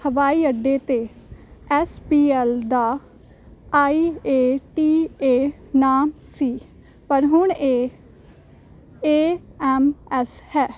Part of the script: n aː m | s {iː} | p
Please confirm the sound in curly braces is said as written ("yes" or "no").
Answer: yes